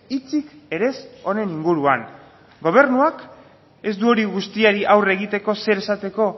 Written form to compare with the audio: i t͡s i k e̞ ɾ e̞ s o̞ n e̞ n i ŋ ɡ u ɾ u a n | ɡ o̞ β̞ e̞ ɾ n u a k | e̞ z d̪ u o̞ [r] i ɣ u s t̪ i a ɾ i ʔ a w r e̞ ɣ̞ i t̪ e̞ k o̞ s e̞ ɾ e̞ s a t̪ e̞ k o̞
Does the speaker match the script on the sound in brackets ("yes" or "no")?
no